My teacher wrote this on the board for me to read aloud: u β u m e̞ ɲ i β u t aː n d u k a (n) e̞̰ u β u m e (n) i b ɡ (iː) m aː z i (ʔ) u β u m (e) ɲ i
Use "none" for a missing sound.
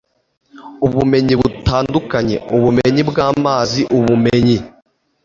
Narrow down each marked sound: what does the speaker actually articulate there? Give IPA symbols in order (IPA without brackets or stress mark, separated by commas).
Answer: ɲ, ɲ, aː, ʔ, e